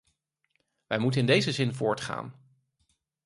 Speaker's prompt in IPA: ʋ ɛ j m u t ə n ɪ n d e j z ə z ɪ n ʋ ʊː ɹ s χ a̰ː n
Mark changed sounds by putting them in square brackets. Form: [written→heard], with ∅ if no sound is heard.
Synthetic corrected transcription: ʋ ɛ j m u t ə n ɪ n d e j z ə z ɪ n [ʋ→v] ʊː ɹ [s→t] χ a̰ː n